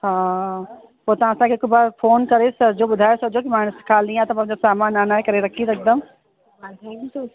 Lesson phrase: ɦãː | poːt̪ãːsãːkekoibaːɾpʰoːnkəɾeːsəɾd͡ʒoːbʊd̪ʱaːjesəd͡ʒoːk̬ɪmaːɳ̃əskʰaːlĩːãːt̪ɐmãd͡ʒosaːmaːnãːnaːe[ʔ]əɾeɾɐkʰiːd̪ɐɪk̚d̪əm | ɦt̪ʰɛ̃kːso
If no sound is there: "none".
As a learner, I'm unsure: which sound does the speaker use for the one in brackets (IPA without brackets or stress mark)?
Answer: k